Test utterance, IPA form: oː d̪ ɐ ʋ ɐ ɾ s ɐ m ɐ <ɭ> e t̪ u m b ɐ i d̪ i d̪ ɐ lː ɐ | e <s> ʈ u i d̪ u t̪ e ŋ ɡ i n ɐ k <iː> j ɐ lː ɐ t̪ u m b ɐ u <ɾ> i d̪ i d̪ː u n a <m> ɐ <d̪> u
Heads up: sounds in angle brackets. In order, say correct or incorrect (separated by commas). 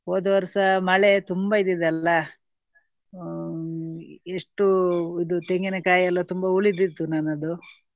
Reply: correct, incorrect, incorrect, incorrect, incorrect, correct